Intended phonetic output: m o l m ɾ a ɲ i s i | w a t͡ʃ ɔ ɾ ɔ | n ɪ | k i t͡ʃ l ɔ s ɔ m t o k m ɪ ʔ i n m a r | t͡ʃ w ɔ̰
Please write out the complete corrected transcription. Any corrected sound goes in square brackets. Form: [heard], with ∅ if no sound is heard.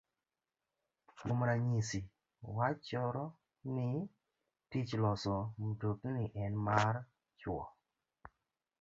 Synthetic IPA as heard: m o [∅] m ɾ a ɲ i s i | w a t͡ʃ ɔ ɾ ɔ | n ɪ | [t] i t͡ʃ l ɔ s ɔ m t o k [n] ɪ ʔ [ɛ] n m a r | t͡ʃ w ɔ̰